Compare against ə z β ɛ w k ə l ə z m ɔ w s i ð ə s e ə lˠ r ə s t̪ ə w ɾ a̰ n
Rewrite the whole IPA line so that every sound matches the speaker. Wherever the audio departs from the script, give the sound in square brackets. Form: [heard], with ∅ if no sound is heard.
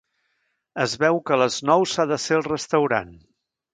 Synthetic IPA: ə z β ɛ w k ə l ə z [n] ɔ w s [a] ð ə s e ə lˠ r ə s t̪ ə w ɾ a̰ n